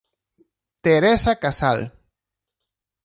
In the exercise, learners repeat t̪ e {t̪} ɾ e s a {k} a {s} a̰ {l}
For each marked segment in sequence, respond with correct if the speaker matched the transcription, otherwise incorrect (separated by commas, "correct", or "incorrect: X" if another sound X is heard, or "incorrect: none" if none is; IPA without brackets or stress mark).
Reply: incorrect: none, correct, correct, correct